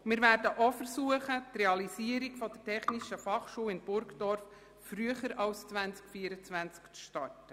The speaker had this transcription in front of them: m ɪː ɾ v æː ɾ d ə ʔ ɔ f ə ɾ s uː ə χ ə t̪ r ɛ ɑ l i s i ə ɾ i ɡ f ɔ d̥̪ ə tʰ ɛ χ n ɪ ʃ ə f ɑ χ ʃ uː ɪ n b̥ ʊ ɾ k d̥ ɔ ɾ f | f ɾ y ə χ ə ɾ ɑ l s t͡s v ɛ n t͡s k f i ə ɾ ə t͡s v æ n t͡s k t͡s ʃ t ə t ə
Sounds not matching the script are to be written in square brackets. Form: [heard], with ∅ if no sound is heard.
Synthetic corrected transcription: m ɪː ɾ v æː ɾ d ə ʔ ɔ f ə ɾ s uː ə χ ə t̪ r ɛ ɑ l i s i ə ɾ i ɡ f ɔ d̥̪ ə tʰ ɛ χ n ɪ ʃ ə f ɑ χ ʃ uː ɪ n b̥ ʊ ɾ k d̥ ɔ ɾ f | f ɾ y ə χ ə ɾ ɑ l s t͡s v [æ] n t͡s k f i ə ɾ ə t͡s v æ n t͡s k t͡s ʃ t [ɑ] t ə

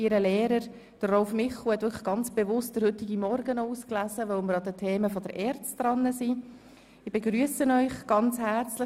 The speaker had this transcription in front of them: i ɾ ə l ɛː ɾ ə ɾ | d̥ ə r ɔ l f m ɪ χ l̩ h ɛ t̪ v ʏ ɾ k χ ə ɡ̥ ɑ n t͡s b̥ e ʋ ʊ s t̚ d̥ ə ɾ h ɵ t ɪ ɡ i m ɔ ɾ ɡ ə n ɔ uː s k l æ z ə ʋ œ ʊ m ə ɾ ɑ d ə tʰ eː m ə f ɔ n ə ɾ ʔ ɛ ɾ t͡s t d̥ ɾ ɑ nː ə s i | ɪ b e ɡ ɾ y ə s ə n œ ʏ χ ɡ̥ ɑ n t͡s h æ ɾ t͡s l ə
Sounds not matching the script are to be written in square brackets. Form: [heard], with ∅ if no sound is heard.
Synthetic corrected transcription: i ɾ ə l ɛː ɾ ə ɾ | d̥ ə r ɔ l f m ɪ χ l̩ h ɛ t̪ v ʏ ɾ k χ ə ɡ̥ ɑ n t͡s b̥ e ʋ ʊ s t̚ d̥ ə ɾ h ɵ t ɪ ɡ i m ɔ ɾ ɡ ə n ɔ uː s k l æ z ə ʋ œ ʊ m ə ɾ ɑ d ə tʰ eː m ə f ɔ [d] ə ɾ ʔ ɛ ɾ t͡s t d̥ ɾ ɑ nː ə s i | ɪ b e ɡ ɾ y ə s ə n œ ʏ χ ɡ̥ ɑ n t͡s h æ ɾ t͡s l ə

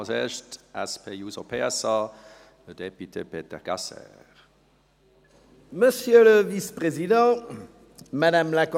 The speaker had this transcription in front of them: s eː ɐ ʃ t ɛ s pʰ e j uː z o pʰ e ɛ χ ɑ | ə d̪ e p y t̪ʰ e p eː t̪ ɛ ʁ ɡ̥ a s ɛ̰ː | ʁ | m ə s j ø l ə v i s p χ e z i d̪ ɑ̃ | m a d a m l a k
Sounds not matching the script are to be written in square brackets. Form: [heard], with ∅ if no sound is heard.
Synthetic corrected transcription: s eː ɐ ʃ t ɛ s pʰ e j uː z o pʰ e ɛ [s] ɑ | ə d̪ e p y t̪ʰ e p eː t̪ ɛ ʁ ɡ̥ a s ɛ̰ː | ʁ | m ə s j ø l ə v i s p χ e z i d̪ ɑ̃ | m a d a m l a k

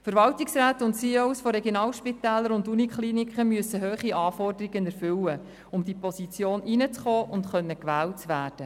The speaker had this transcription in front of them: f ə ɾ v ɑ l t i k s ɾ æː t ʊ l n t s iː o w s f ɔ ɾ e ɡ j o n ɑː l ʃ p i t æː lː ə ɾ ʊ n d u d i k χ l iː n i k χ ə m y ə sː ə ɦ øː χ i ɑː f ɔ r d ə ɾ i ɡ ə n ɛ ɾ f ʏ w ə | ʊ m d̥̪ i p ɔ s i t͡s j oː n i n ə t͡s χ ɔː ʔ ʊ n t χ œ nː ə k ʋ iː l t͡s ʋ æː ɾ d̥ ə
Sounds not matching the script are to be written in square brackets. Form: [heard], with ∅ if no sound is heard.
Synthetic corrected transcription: f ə ɾ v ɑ l t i k s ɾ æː t ʊ [∅] n t s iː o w s f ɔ ɾ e ɡ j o n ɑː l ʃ p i t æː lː ə ɾ ʊ n d u [n] i k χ l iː n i k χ ə m y ə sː ə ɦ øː χ i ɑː f ɔ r d ə ɾ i ɡ ə n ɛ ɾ f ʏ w ə | ʊ m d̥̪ i p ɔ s i t͡s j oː n i n ə t͡s χ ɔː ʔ ʊ n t χ œ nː ə k ʋ [æː] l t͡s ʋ æː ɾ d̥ ə

